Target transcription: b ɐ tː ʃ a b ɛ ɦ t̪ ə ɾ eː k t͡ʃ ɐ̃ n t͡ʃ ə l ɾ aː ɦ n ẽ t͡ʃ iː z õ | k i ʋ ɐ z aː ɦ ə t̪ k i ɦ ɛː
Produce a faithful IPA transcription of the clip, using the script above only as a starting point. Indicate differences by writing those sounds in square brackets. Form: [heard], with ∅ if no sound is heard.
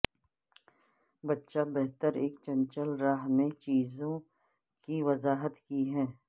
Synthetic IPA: b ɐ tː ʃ a b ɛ ɦ t̪ ə ɾ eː k t͡ʃ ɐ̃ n t͡ʃ ə l ɾ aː ɦ [m] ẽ t͡ʃ iː z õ | k i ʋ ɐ z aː ɦ ə t̪ k i ɦ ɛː